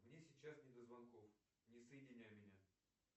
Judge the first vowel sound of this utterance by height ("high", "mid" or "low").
mid